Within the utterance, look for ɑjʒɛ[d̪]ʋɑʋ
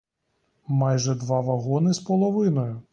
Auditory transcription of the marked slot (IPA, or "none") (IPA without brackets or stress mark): d̪